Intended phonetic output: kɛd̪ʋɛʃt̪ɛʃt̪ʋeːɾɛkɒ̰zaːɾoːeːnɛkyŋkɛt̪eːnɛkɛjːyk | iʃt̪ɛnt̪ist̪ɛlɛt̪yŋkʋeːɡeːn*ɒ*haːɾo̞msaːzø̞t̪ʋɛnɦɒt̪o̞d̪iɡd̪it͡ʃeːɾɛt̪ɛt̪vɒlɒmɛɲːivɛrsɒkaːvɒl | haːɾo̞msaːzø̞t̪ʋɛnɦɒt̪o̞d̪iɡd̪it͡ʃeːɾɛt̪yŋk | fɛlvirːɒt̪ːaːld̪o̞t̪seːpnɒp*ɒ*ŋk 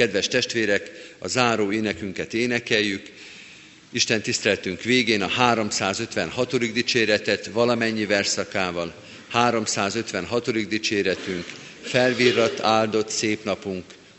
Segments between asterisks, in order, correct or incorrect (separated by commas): correct, incorrect